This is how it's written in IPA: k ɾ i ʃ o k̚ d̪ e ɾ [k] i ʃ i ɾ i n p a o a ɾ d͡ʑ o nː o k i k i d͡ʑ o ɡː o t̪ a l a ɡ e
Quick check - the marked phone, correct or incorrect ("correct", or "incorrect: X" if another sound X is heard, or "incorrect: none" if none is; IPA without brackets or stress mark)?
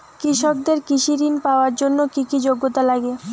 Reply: correct